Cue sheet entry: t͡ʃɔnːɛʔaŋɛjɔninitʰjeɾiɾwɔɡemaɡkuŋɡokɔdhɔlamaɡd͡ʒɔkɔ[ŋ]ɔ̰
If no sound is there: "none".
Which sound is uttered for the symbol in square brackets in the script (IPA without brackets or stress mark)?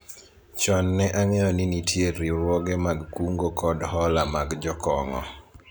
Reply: ŋ